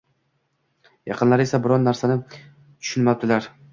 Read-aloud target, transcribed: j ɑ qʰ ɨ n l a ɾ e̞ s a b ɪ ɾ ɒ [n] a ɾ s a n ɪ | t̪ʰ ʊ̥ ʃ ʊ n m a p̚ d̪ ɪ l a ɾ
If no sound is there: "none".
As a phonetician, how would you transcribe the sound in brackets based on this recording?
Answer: nː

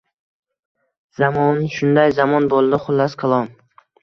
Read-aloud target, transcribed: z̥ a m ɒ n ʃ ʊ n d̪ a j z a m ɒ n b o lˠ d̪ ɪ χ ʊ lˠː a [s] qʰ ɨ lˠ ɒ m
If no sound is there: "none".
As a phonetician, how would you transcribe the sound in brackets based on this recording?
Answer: s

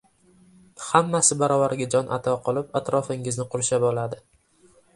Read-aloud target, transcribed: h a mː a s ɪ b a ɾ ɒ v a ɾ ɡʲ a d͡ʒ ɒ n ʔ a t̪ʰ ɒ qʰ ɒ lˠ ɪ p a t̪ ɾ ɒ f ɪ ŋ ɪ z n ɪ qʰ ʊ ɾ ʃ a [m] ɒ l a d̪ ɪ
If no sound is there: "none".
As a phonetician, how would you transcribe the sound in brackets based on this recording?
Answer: b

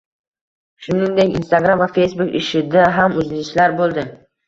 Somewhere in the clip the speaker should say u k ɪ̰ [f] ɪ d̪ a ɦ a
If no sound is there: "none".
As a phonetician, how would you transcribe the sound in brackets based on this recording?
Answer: ʃ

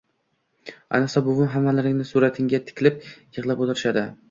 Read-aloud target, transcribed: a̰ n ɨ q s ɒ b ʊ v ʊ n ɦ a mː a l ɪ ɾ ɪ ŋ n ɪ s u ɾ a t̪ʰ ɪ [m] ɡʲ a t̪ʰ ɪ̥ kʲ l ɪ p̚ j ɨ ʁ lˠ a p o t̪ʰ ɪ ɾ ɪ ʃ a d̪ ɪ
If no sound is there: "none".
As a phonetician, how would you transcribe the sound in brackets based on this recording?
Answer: ŋ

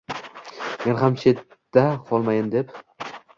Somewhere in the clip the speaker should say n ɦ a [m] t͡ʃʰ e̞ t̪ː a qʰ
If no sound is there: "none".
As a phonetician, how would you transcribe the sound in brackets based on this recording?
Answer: m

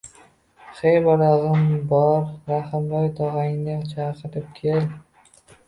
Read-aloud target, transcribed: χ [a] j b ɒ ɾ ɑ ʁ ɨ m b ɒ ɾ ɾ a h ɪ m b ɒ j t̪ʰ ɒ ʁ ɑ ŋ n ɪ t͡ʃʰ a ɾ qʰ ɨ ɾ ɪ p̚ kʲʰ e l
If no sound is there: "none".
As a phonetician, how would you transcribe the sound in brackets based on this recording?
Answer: e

